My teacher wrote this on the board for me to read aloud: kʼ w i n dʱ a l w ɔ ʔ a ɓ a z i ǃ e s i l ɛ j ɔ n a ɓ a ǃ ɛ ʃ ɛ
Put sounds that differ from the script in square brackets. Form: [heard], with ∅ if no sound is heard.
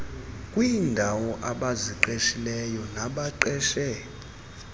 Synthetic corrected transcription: kʼ w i n dʱ a [∅] w ɔ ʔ a ɓ a z i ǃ e [ʃ] i l ɛ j ɔ n a ɓ a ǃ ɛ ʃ ɛ

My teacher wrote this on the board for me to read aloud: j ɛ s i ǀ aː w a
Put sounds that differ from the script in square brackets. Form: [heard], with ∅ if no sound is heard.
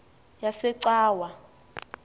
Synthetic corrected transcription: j [a] s [ɛ] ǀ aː w a

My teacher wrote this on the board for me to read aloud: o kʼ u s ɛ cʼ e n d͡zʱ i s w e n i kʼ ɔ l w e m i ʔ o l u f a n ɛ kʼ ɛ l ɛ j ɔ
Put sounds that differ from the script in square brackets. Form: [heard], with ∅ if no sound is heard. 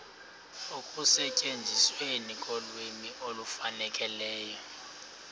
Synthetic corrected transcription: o kʼ u s ɛ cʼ e n d͡zʱ i s w e n i kʼ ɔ l w e m i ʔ o l u f a n ɛ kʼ ɛ l [ɛː] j ɔ

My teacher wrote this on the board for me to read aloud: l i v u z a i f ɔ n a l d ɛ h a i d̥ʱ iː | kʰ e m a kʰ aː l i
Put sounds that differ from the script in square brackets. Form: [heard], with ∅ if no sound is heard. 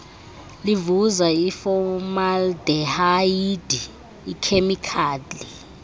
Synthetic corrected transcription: l i v u z a i f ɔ [m] a l d ɛ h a i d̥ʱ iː | kʰ e m [i] kʰ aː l i

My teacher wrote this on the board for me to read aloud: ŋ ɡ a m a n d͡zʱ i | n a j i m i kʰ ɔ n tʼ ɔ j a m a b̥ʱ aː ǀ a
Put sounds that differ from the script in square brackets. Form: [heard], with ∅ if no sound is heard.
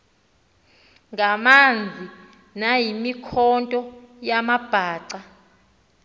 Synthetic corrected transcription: ŋ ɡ a m a n d͡zʱ i | n a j i m i kʰ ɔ n tʼ ɔ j a m a b̥ʱ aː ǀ a

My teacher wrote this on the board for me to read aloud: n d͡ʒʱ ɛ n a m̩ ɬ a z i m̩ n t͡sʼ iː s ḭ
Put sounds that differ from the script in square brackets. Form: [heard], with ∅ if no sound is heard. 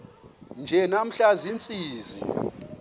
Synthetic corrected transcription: n d͡ʒʱ ɛ n a m̩ ɬ a z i [∅] n t͡sʼ iː [z] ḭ

